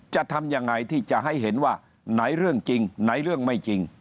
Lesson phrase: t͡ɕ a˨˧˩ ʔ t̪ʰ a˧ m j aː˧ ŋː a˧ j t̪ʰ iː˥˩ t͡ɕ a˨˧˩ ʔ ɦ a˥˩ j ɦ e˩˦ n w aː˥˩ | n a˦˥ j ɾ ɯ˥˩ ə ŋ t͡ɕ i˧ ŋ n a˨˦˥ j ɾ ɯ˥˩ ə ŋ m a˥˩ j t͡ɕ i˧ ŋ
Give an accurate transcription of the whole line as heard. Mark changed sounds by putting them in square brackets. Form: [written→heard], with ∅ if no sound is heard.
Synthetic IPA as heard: t͡ɕ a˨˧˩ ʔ t̪ʰ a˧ m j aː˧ ŋː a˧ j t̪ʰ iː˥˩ t͡ɕ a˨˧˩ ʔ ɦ a˥˩ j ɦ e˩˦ n w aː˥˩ | n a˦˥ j ɾ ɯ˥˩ ə ŋ t͡ɕ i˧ ŋ n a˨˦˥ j ɾ ɯ˥˩ ə ŋ m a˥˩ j t͡ɕ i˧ ŋ